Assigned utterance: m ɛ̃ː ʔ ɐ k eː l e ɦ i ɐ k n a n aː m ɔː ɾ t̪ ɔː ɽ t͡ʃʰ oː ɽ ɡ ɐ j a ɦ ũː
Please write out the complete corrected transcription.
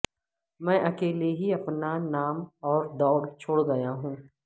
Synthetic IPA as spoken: m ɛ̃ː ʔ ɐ k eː l e ɦ i ɐ p n a n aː m ɔː ɾ d̪ ɔː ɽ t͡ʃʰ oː ɽ ɡ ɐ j a ɦ ũː